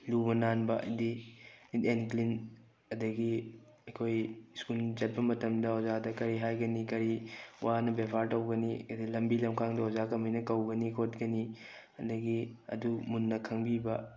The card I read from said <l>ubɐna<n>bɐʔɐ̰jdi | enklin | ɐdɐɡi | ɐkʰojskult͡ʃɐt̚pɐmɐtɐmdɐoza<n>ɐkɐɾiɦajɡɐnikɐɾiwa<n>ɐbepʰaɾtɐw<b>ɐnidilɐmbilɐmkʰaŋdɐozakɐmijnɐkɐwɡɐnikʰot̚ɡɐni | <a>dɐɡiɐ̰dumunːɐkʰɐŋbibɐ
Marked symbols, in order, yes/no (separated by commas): yes, yes, no, yes, no, no